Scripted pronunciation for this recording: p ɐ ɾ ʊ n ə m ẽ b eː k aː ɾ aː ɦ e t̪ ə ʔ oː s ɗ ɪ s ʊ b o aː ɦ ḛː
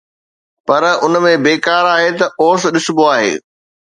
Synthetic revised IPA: p ɐ ɾ ʊ n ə m ẽ b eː k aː ɾ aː ɦ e t̪ ɐ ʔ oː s ɗ ɪ s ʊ b o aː ɦ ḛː